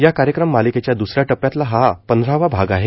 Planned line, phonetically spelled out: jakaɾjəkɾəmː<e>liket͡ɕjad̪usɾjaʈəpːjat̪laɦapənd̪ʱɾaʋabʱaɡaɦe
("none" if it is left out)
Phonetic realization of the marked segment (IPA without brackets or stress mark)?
a